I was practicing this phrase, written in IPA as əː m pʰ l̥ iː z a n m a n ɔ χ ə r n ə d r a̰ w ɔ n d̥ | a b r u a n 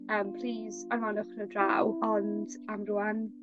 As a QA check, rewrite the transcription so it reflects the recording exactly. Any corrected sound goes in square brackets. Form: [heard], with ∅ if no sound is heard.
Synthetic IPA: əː m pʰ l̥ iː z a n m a n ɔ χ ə [∅] n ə d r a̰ w ɔ n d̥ | a [m] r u a n